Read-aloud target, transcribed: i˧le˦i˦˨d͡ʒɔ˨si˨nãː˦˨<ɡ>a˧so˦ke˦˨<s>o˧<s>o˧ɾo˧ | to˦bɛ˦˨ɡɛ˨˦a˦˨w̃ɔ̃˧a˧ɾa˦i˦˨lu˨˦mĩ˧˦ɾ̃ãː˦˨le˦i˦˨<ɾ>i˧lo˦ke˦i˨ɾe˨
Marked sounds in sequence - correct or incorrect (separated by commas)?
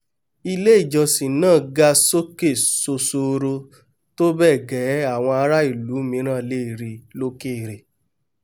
correct, correct, correct, correct